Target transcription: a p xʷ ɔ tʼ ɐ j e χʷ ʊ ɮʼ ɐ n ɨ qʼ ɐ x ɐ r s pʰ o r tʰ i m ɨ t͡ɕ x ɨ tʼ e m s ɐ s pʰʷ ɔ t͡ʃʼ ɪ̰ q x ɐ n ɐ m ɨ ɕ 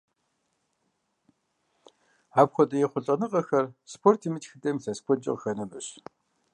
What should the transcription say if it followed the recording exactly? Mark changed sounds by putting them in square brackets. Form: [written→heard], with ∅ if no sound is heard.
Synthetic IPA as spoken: a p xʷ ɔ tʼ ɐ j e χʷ ʊ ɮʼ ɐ n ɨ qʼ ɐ x ɐ r s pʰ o r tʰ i m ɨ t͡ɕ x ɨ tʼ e m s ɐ s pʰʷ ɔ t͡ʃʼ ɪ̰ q x ɐ n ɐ m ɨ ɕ